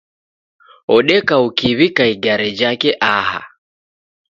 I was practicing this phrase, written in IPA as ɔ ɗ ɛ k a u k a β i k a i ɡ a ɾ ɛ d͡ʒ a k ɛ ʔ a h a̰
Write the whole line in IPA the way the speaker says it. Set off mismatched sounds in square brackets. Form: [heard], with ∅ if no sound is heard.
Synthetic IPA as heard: ɔ ɗ ɛ k a u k [i] β i k a i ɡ a ɾ ɛ d͡ʒ a k ɛ ʔ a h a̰